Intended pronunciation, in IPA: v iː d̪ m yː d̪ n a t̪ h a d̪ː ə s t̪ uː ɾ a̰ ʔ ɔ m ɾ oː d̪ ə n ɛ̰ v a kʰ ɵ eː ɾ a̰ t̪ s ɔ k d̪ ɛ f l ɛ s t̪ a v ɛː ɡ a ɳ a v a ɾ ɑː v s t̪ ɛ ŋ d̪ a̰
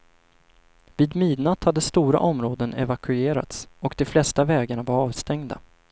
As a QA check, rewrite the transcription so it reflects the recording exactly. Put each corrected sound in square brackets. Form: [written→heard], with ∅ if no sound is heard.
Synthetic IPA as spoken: v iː d̪ m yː d̪ n a t̪ h a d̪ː ə s t̪ uː ɾ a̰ ʔ ɔ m ɾ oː d̪ ə n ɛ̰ v a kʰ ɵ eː ɾ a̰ t̪ s ɔ k d̪ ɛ f l ɛ s t̪ a v ɛː ɡ a ɳ a v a ɾ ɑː v s t̪ ɛ ŋ d̪ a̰